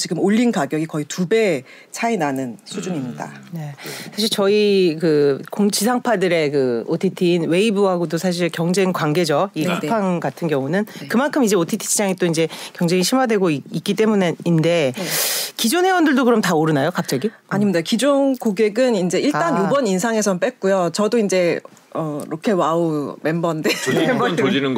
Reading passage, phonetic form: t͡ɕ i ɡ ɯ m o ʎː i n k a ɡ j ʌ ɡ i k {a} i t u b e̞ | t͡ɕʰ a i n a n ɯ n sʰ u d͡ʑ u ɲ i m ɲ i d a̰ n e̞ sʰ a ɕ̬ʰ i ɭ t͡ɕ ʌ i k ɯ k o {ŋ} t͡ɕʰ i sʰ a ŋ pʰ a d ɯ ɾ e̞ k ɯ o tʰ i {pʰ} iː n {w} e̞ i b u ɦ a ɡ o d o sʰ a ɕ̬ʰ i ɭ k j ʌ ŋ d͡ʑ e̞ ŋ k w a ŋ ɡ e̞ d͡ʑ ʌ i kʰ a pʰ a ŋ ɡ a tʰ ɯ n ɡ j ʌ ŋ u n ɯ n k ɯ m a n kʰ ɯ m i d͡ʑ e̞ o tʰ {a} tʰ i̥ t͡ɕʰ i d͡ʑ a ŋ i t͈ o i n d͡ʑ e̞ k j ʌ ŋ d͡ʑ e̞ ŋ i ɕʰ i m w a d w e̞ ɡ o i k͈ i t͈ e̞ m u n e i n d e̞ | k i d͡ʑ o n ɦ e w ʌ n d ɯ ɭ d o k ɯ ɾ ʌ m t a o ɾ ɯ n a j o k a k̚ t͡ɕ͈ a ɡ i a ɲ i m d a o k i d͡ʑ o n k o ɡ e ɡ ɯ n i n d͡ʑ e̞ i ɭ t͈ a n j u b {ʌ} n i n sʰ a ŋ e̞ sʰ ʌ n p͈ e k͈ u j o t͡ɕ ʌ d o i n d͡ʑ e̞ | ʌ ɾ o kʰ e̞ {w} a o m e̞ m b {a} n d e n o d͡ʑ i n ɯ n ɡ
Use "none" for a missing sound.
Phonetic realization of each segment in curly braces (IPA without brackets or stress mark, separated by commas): ʌ, ŋ, tʰ, w, i, ʌ, w, ʌ